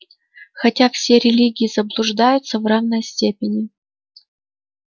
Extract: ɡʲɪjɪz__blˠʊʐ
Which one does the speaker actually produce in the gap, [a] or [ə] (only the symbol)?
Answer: ə